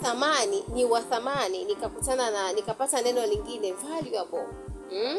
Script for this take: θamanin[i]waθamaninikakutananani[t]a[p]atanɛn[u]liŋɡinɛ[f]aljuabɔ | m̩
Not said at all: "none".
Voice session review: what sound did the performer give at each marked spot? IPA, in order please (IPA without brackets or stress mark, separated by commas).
i, k, p, ɔ, v